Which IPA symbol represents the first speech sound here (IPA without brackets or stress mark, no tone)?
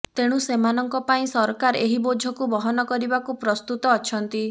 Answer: t̪